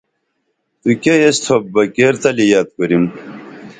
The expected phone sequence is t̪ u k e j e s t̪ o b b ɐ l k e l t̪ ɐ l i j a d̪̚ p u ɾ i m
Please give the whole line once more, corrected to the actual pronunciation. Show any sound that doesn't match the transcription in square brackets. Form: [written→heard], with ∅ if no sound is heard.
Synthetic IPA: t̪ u k e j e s [t̪→t̪ʰ] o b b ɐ [l→∅] k e [l→ɾ] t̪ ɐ l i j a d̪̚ [p→k] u ɾ i m